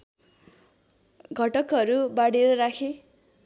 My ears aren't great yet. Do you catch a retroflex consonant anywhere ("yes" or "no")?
yes